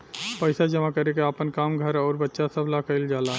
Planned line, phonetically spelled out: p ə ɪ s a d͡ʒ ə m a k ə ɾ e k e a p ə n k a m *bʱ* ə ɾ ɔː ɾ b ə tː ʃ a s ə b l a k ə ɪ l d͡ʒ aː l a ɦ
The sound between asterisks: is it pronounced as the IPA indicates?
no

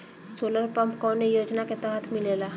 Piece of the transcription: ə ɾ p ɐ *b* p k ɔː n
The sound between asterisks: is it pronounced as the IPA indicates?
no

